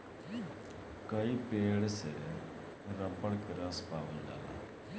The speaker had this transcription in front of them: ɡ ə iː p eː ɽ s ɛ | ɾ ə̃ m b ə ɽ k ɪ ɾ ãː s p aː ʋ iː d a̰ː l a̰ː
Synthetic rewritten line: k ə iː p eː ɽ s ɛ | ɾ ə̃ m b ə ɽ k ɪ ɾ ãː s p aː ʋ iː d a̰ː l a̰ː